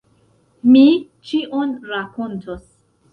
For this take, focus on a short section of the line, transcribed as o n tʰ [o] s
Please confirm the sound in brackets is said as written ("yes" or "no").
yes